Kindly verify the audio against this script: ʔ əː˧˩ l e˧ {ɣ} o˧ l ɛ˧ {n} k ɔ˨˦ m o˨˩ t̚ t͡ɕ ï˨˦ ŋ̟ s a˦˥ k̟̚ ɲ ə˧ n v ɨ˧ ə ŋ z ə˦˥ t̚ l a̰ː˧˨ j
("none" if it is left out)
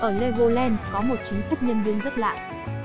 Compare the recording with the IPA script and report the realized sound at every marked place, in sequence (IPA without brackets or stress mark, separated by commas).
ɣ, n